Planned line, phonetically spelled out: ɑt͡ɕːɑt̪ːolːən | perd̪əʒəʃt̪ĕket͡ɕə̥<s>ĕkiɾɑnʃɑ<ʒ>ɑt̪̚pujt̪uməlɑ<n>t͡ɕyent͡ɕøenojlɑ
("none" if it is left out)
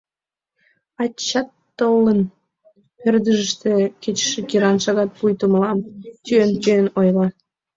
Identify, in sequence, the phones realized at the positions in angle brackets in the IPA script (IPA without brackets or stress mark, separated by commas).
ʃ, ɣ, m